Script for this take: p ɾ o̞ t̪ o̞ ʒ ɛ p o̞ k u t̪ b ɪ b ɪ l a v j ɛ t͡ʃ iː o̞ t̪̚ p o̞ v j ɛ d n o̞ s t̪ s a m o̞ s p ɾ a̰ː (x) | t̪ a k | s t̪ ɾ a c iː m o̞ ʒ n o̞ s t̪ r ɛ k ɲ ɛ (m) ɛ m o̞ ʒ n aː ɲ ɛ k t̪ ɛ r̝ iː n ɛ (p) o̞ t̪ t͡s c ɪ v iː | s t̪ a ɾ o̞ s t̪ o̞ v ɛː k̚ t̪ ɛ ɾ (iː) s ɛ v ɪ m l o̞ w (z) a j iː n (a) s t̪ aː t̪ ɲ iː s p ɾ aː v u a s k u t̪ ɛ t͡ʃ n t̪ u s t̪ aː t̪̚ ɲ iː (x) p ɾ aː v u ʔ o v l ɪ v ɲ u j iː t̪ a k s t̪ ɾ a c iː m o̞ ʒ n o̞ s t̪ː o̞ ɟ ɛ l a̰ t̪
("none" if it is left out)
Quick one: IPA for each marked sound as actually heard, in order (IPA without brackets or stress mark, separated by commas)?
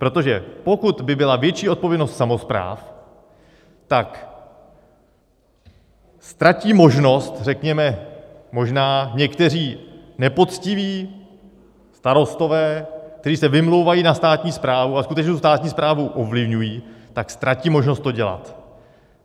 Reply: f, m, p, iː, v, a, s